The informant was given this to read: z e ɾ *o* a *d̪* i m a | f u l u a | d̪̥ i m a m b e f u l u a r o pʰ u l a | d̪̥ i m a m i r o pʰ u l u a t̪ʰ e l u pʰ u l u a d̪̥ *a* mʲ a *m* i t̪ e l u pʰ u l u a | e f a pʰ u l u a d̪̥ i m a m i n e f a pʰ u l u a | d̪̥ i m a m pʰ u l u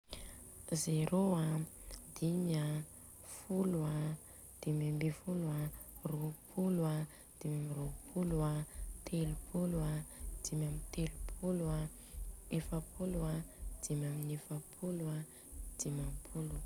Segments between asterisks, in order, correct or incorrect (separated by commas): correct, correct, incorrect, correct